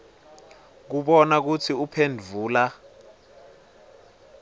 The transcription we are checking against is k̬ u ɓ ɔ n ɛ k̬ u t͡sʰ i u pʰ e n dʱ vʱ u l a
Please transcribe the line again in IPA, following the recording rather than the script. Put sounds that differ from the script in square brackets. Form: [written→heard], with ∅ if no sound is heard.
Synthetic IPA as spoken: k̬ u ɓ ɔ n [ɛ→a] k̬ u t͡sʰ i u pʰ e n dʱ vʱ [u→uː] l a